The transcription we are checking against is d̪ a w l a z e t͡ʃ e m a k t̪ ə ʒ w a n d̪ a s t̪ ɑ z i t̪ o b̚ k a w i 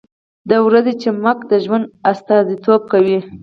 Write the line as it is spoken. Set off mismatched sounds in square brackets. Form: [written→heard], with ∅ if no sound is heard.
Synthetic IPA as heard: d̪ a w [l→ɾ] a z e t͡ʃ e m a k [t̪→d̪] ə ʒ w a n d̪ a s t̪ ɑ z i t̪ o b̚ k a w i